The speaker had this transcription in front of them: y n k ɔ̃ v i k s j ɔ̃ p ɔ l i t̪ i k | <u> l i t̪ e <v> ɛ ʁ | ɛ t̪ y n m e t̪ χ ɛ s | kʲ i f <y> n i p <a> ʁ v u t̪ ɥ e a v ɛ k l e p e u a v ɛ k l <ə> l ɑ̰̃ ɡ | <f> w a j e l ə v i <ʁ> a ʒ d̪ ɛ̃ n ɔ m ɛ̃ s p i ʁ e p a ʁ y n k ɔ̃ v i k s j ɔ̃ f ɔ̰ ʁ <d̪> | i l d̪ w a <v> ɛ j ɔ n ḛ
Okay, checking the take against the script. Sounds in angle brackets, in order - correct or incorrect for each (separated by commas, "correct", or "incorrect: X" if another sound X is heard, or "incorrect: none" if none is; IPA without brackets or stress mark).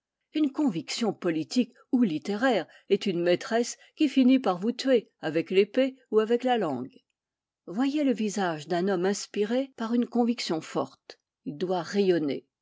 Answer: correct, incorrect: ʁ, incorrect: i, correct, incorrect: a, incorrect: v, incorrect: z, incorrect: t̪, incorrect: ʁ